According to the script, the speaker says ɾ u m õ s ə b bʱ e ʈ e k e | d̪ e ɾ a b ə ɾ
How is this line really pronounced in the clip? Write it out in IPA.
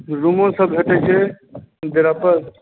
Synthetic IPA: ɾ u m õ s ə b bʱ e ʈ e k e | d̪ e ɾ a p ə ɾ